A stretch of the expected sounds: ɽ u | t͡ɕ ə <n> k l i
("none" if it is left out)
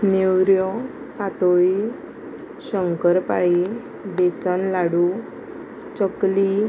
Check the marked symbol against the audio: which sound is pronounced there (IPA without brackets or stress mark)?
none